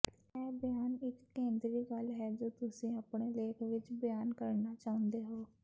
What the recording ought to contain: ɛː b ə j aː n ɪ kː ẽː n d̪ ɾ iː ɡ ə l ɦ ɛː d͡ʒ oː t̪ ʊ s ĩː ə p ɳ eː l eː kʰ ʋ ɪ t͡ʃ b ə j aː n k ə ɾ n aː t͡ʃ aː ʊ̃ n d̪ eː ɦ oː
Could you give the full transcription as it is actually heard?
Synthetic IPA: ɛː b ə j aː n ɪ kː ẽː n d̪ ɾ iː ɡ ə l ɦ ɛː d͡ʒ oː t̪ ʊ s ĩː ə p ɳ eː l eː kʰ ʋ ɪ t͡ʃ b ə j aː n k ə ɾ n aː t͡ʃ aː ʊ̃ n d̪ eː ɦ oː